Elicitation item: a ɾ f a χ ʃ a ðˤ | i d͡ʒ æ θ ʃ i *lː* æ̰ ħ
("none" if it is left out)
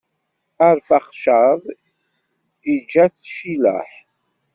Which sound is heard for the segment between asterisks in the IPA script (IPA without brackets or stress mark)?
l